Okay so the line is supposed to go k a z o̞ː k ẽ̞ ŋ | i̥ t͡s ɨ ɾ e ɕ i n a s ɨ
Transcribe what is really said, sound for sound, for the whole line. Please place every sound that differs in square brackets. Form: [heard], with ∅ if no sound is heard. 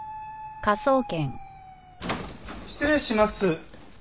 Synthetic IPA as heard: k a [s] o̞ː k ẽ̞ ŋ | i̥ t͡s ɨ ɾ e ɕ i [m] a s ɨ

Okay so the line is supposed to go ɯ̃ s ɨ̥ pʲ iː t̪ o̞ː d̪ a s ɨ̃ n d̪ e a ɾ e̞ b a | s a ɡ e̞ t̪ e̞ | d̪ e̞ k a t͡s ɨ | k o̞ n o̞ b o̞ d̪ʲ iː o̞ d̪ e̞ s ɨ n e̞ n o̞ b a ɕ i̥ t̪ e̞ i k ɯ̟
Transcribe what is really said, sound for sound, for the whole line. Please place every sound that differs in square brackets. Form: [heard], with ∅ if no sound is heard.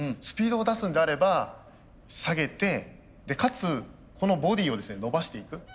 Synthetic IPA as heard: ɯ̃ s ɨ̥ pʲ iː [d̪] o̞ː d̪ a s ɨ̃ n d̪ e a ɾ e̞ b a | s a ɡ e̞ t̪ e̞ | d̪ e̞ k a t͡s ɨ | k o̞ n o̞ b o̞ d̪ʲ iː o̞ d̪ e̞ s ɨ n e̞ n o̞ b a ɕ i̥ t̪ e̞ i k ɯ̟

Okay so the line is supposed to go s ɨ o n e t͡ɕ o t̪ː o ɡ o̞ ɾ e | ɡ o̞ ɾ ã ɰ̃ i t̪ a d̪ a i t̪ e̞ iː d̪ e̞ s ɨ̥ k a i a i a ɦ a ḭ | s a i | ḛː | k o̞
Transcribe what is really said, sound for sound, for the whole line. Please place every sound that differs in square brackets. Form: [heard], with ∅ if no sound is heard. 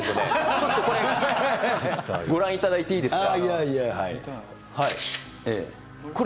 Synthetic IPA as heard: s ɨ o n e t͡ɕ o t̪ː o [k] o̞ ɾ e | ɡ o̞ ɾ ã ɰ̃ i t̪ a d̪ a i t̪ e̞ iː d̪ e̞ s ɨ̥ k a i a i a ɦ a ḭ | [h] a i | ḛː | k o̞

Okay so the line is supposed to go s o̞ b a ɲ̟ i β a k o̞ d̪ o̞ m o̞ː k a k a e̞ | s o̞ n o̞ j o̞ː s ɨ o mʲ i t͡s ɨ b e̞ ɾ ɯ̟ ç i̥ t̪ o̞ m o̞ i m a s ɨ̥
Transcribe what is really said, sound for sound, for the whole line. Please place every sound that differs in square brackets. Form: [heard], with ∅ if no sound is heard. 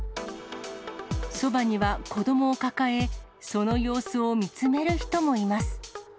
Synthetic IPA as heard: s o̞ b a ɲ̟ i β a k o̞ d̪ o̞ m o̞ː k a k a e̞ | s o̞ n o̞ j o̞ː s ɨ o mʲ i t͡s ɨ [m] e̞ ɾ ɯ̟ ç i̥ t̪ o̞ m o̞ i m a s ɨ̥

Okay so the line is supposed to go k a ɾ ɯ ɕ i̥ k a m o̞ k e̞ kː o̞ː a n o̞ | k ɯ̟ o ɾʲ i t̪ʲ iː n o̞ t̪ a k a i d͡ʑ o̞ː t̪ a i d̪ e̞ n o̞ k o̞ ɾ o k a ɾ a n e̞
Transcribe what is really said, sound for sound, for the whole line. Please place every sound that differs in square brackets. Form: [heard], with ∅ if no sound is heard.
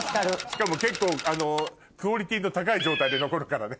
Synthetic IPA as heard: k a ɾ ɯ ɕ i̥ k a m o̞ k e̞ kː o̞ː a n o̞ | k ɯ̟ o ɾʲ i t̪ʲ iː n o̞ t̪ a k a i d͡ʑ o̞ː t̪ a i d̪ e̞ n o̞ k o̞ ɾ o k a ɾ a n e̞

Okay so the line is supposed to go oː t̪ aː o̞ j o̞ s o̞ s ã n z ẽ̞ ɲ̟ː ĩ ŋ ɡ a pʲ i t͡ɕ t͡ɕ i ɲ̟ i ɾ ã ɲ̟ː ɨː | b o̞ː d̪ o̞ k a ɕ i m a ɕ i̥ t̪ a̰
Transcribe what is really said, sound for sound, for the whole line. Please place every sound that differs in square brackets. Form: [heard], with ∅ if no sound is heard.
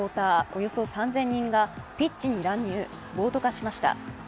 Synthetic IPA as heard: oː t̪ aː o̞ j o̞ s o̞ s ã n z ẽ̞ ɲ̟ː ĩ ŋ ɡ a pʲ i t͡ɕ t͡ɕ i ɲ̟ i ɾ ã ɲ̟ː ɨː | b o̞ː [t̪] o̞ k a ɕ i m a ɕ i̥ t̪ a̰

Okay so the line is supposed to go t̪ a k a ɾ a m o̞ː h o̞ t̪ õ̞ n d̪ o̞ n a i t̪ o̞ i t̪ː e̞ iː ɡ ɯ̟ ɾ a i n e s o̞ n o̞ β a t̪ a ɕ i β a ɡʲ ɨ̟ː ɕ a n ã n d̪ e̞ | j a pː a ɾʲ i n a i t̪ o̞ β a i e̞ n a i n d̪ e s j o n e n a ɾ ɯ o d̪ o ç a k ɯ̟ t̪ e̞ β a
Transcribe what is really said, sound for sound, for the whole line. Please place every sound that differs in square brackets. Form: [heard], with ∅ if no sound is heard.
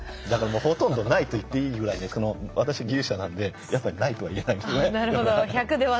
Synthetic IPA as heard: [d̪] a k a ɾ a m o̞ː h o̞ t̪ õ̞ n d̪ o̞ n a i t̪ o̞ i t̪ː e̞ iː ɡ ɯ̟ ɾ a i n e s o̞ n o̞ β a t̪ a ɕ i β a ɡʲ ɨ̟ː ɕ a n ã n d̪ e̞ | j a pː a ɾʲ i n a i t̪ o̞ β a i e̞ n a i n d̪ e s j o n e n a ɾ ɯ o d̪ o ç a k ɯ̟ [d̪] e̞ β a

